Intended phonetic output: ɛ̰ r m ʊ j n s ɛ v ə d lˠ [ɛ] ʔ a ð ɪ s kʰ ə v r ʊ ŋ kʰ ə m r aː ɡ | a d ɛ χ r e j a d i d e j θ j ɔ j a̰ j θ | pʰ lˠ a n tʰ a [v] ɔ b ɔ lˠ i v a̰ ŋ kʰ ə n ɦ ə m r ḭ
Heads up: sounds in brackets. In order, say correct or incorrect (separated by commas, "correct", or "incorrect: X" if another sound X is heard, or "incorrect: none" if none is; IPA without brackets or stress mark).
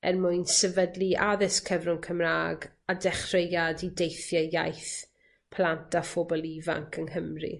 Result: incorrect: i, incorrect: f